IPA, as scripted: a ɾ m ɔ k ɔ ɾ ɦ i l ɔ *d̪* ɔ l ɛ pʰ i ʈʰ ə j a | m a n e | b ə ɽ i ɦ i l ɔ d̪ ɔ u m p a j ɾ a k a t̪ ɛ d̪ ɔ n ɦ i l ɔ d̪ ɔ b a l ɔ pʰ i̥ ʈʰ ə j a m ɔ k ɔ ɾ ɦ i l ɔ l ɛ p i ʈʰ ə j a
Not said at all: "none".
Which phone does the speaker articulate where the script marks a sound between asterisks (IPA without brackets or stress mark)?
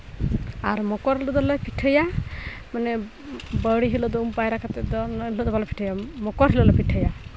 d̪